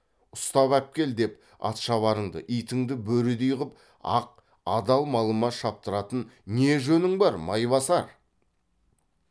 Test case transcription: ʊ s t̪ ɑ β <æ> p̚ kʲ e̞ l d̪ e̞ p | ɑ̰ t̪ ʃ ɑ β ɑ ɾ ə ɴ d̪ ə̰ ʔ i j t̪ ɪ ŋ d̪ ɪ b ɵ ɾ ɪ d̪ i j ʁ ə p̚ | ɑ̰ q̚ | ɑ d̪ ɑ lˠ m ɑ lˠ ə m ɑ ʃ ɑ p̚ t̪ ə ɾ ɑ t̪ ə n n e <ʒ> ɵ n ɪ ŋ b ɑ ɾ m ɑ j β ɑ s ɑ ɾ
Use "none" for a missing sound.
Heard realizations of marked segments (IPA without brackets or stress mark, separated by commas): æ, ʒ